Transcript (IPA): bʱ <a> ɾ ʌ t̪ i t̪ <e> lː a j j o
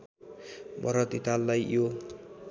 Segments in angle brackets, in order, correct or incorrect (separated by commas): incorrect, incorrect